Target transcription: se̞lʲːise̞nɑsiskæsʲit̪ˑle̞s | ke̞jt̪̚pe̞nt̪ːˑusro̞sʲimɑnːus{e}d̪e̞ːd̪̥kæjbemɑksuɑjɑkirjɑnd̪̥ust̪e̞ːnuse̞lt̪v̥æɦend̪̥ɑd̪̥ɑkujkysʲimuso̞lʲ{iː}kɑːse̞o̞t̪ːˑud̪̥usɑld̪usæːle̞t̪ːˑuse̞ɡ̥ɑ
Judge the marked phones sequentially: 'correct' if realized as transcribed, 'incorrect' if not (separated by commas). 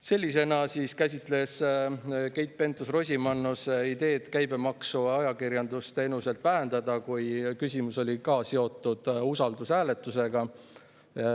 incorrect, incorrect